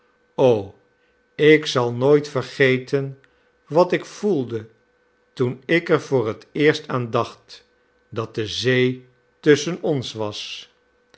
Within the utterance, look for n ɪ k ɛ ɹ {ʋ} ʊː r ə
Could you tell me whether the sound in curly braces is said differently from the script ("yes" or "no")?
yes